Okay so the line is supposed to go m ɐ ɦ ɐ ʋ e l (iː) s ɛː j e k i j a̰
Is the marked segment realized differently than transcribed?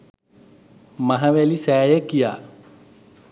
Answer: yes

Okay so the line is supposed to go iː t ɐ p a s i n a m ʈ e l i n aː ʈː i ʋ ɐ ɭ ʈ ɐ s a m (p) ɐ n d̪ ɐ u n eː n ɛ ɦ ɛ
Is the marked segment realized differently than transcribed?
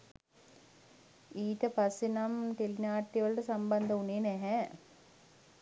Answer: yes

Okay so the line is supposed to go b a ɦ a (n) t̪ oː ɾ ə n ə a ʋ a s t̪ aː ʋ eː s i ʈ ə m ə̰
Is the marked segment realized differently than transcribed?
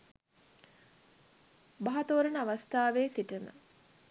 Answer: yes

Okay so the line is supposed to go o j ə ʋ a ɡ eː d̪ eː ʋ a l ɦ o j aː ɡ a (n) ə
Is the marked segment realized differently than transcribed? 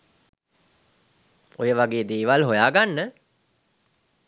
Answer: yes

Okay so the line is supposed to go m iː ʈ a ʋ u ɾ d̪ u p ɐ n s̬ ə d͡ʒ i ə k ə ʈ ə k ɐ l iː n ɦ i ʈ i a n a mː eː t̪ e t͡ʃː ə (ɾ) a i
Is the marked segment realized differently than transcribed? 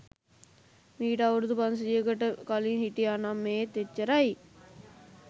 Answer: no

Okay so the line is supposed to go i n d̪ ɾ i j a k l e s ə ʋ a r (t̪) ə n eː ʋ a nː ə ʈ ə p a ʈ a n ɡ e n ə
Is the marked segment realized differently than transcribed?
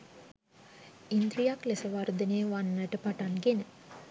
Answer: yes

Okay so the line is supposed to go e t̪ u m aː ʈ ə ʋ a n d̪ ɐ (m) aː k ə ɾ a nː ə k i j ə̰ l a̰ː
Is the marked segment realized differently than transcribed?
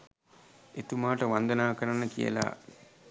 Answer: yes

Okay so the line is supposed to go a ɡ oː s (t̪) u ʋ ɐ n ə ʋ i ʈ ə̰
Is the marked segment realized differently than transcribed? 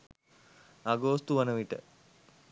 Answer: no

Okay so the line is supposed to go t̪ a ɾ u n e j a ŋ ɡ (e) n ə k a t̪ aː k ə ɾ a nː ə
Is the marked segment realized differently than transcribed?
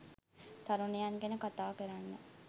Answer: no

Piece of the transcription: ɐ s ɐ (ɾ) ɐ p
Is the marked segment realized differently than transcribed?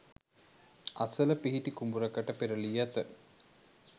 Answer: yes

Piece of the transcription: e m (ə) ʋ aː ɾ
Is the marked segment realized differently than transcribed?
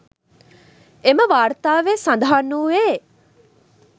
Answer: no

